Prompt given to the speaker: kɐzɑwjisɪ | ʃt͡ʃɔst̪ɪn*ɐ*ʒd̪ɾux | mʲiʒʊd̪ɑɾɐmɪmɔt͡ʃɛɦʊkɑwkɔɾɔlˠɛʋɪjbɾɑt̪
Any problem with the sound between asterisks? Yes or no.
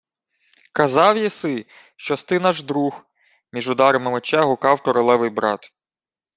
yes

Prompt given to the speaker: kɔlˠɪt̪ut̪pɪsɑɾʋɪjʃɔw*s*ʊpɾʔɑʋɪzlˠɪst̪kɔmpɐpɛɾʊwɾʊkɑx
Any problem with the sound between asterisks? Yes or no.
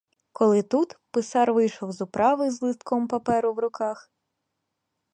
yes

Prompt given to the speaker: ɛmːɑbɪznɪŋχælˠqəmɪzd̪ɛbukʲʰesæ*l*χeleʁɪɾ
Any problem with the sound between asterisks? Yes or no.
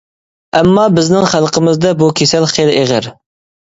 no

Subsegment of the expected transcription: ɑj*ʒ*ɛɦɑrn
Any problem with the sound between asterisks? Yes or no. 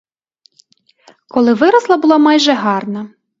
no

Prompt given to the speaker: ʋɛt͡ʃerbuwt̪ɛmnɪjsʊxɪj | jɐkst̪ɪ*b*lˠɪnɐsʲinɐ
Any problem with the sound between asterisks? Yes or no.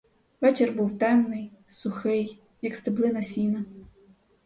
no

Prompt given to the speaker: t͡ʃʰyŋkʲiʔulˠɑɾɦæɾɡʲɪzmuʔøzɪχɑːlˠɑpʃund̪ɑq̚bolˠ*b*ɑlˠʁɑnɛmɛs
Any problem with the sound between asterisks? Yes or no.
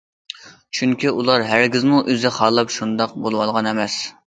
yes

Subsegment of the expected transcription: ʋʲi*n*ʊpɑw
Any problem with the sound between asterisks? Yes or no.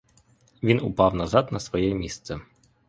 no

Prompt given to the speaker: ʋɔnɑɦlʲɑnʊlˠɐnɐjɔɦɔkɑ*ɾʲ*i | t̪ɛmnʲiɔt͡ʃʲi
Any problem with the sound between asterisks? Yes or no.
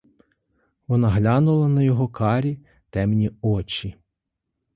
no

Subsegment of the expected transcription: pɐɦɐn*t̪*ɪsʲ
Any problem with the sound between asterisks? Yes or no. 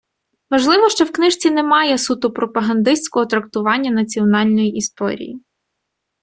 yes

